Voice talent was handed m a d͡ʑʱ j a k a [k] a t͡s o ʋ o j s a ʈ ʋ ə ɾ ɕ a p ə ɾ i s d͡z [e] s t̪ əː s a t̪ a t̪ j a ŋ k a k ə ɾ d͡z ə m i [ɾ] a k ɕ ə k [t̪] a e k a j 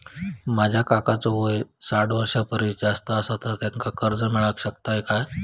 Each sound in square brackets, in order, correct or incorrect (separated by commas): correct, incorrect, incorrect, correct